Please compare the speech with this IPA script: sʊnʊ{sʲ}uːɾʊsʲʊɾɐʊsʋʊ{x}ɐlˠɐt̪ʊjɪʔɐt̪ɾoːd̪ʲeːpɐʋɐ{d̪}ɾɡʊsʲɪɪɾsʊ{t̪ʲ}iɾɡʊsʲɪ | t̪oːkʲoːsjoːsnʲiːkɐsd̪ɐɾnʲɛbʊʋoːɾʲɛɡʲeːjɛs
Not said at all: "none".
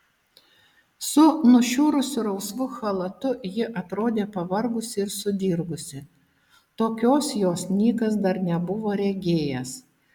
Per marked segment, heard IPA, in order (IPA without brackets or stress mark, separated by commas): ʃʲ, x, none, d̪ʲ